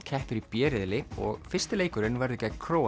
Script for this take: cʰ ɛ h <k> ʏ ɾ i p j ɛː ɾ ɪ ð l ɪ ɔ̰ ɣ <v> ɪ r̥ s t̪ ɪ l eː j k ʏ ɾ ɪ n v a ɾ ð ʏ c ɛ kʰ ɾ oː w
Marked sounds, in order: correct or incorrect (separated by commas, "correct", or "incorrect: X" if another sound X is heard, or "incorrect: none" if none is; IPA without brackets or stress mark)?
incorrect: p, incorrect: f